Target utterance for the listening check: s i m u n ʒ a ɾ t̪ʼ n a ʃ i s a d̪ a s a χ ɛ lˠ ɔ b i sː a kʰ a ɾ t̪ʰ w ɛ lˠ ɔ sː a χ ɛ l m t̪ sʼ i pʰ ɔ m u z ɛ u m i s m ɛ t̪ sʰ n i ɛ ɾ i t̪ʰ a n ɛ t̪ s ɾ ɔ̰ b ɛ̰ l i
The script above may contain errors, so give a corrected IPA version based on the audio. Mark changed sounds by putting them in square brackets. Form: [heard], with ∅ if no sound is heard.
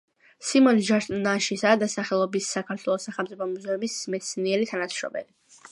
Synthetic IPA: s i m [ɔ] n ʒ a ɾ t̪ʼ n a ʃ i s a d̪ a s a χ ɛ lˠ ɔ b i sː a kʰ a ɾ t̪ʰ w ɛ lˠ ɔ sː a χ ɛ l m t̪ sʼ i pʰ ɔ m u z ɛ u m i s m ɛ t̪ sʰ n i ɛ ɾ i t̪ʰ a n [a] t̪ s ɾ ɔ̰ b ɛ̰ l i